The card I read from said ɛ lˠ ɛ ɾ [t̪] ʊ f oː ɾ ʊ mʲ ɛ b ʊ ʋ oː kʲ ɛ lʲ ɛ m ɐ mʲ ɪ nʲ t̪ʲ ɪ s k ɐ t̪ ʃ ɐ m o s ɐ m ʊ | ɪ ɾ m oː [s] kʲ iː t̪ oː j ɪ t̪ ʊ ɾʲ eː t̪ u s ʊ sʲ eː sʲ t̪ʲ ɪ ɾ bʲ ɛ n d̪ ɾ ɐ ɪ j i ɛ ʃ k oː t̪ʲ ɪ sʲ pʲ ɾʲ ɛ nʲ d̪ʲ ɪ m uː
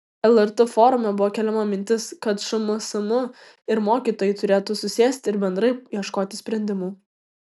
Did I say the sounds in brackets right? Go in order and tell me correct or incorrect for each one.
correct, incorrect: none

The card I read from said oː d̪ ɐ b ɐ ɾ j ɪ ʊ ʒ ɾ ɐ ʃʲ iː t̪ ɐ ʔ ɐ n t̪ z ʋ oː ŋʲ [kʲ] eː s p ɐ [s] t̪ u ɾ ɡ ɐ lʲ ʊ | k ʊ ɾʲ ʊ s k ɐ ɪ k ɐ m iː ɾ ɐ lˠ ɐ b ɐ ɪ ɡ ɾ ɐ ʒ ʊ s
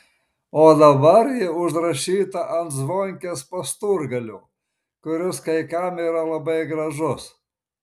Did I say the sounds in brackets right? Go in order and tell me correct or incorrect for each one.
correct, correct

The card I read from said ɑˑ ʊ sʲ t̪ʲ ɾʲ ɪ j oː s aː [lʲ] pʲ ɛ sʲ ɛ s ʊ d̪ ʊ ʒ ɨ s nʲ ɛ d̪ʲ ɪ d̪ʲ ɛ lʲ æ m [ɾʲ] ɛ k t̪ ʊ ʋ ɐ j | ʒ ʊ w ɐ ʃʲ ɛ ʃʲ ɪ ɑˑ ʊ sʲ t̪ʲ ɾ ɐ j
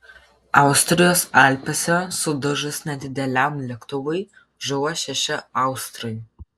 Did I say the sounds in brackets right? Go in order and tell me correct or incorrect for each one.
correct, incorrect: lʲ

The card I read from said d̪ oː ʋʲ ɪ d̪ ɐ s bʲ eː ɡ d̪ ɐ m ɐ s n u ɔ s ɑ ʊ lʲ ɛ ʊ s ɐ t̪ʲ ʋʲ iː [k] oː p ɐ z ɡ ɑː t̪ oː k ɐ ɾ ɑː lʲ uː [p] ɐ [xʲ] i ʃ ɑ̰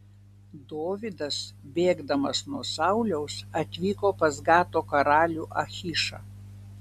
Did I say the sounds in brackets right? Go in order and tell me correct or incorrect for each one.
correct, incorrect: ʔ, correct

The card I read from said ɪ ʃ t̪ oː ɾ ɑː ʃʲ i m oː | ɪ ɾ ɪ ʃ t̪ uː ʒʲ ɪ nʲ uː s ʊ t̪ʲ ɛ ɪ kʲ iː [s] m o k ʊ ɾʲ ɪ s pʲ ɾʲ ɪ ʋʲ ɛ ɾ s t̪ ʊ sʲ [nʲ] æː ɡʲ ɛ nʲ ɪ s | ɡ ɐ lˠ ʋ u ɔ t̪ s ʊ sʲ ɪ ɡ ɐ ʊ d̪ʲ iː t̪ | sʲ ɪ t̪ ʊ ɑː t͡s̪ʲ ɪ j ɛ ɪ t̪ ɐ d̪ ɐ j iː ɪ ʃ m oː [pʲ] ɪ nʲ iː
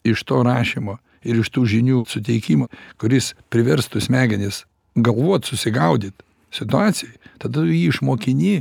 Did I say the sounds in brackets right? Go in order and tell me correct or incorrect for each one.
incorrect: none, incorrect: mʲ, incorrect: kʲ

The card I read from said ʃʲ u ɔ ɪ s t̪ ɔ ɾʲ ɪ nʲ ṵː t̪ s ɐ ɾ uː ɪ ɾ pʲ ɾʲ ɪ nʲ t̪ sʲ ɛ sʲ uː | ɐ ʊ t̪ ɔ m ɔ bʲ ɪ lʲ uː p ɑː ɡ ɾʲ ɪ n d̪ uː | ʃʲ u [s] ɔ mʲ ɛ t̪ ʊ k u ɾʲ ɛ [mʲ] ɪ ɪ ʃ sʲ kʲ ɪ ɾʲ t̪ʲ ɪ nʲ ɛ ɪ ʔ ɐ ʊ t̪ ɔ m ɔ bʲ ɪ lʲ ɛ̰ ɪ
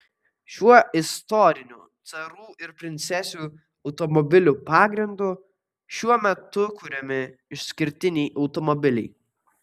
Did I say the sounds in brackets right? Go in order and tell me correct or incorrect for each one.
incorrect: none, correct

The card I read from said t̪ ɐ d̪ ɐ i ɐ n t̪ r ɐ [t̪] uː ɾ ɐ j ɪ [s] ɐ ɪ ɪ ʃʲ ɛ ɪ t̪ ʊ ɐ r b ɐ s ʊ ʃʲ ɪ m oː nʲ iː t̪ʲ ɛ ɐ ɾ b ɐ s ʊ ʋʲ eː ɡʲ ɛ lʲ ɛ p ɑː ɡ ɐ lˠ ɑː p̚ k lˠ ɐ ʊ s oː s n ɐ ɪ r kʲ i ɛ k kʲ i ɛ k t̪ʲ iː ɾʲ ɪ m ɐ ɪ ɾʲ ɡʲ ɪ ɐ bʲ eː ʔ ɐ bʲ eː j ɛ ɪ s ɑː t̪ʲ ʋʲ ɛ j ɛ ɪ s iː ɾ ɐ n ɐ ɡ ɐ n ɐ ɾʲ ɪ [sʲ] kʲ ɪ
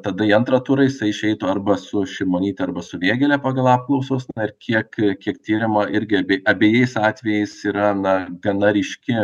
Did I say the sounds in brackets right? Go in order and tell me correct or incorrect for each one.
correct, correct, incorrect: ʃʲ

